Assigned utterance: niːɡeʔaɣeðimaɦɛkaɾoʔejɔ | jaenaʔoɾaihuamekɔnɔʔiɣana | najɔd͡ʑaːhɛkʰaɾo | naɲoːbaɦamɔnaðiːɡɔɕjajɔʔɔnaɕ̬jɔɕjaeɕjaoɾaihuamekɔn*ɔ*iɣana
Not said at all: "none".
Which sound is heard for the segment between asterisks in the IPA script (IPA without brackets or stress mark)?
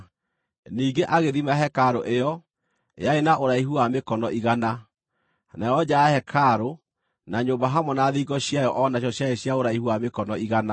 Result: ɔ